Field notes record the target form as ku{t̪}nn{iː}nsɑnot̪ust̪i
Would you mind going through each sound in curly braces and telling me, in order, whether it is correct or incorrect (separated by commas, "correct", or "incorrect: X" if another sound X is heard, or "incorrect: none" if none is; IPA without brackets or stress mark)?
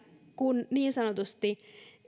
incorrect: none, correct